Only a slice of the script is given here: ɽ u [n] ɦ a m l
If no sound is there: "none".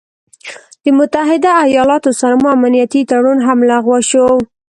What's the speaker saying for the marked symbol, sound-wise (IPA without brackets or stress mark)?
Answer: n